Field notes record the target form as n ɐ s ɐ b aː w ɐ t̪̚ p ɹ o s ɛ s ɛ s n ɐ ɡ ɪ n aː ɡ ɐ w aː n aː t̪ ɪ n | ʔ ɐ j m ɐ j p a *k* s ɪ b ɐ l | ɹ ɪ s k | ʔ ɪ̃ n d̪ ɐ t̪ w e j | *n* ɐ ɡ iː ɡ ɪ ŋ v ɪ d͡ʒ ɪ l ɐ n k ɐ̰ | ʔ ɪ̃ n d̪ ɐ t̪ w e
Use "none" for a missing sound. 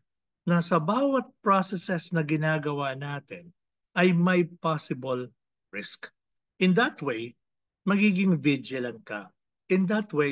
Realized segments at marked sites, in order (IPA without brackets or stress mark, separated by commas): none, m